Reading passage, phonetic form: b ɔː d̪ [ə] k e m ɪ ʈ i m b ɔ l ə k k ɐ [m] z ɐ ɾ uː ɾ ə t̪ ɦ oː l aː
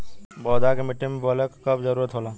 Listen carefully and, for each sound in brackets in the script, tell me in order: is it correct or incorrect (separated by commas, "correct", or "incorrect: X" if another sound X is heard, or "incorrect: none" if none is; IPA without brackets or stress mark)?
incorrect: a, incorrect: b